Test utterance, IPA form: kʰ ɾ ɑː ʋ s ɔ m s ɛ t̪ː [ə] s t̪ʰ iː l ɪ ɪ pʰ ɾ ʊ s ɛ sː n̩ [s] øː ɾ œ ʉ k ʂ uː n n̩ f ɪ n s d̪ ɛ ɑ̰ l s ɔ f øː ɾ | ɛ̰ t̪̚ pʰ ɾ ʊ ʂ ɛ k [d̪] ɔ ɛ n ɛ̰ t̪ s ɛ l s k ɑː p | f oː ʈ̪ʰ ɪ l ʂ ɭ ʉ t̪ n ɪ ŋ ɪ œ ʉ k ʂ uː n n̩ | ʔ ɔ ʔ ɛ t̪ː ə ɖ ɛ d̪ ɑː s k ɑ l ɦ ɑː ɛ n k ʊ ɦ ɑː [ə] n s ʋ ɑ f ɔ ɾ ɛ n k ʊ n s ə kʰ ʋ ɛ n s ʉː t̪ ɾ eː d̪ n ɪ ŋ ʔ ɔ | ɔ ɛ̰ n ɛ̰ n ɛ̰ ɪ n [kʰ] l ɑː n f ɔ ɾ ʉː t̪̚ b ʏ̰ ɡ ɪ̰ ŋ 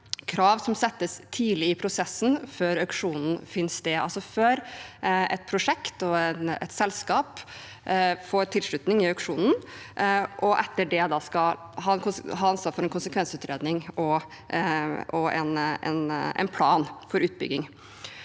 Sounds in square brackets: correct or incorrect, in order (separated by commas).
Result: correct, incorrect, incorrect, incorrect, incorrect